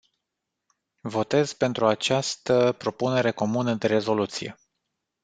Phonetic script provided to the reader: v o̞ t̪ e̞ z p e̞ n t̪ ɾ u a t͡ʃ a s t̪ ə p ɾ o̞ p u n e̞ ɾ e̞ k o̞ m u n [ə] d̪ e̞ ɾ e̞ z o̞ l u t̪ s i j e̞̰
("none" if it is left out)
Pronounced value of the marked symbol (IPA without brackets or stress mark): ə